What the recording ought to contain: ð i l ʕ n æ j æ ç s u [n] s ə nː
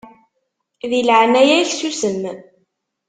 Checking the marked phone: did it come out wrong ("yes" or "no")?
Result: yes